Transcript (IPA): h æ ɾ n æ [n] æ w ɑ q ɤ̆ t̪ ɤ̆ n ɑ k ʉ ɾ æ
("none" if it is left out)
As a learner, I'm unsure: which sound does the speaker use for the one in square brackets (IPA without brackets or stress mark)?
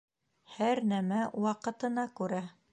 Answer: m